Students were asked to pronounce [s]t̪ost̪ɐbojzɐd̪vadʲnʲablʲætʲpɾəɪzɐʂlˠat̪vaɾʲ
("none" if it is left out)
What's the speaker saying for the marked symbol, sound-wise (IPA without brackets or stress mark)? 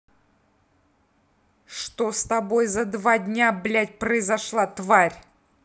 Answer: ʂ